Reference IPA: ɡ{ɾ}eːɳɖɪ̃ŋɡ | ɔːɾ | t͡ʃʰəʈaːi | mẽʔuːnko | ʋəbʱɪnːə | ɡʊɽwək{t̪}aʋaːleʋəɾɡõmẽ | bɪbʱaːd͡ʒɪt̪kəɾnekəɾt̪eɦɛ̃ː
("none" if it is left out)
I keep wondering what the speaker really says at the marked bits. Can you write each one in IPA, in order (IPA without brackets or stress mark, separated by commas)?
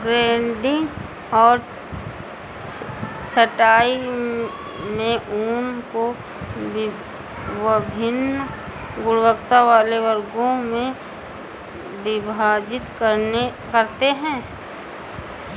ɾ, t̪